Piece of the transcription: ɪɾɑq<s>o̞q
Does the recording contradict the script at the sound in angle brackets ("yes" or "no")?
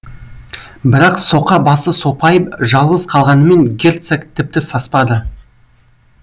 no